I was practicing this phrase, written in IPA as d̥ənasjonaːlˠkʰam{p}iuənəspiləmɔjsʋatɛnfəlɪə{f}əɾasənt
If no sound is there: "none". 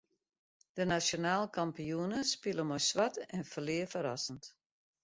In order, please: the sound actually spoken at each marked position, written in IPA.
p, f

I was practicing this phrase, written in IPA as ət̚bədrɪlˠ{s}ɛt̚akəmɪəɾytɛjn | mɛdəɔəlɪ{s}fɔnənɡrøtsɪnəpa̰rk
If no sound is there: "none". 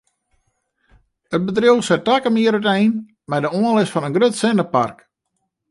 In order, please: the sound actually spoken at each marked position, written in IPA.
s, s

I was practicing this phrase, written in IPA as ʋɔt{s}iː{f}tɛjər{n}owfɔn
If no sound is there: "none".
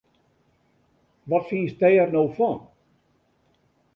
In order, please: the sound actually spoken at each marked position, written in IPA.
f, s, n

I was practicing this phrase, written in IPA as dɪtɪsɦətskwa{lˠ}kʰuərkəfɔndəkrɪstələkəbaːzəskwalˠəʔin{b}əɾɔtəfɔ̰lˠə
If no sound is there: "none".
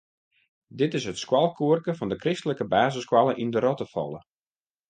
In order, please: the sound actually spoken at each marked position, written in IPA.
lˠ, d

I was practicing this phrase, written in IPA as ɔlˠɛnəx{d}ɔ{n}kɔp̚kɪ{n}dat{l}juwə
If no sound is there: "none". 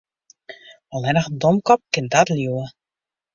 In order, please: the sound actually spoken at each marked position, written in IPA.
d, m, n, l

